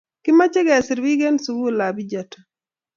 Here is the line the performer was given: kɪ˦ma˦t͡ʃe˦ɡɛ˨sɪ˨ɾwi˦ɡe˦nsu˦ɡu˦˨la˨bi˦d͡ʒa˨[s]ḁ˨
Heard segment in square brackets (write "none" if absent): t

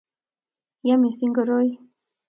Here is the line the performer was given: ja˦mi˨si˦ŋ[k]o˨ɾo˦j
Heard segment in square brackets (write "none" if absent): ɡ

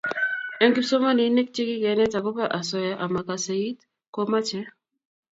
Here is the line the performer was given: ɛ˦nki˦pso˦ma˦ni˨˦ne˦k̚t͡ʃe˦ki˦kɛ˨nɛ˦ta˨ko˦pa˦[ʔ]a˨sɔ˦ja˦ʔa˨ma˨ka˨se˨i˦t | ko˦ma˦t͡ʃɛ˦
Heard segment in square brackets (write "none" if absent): ʔ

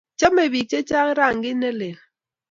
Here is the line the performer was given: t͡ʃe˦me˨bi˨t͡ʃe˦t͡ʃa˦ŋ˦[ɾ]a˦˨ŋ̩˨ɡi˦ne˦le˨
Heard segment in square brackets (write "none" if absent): ɾ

